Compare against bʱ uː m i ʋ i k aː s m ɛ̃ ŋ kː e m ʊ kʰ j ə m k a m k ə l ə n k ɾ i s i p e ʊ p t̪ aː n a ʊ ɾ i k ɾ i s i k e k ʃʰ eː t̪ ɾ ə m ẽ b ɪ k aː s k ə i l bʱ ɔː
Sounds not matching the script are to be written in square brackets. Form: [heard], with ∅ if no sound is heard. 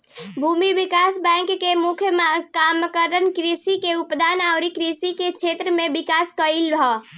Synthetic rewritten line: bʱ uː m i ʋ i k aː s [b] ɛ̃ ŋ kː e m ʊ kʰ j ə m k a m k ə [ɾ] ə n k ɾ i s i [k] e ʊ p [d̪] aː n a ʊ ɾ i k ɾ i s i k e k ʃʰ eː t̪ ɾ ə m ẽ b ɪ k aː s k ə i l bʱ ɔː